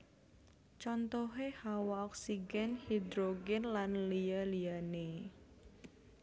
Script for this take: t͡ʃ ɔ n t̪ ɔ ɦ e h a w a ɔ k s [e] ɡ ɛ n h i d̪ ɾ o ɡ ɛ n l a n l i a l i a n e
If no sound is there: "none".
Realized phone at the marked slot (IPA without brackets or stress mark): i